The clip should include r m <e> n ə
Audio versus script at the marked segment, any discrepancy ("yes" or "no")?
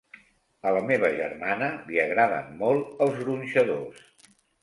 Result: yes